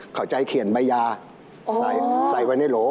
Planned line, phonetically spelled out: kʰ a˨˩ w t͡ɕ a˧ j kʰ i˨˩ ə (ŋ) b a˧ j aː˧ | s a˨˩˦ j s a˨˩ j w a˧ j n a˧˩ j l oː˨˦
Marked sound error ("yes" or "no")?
yes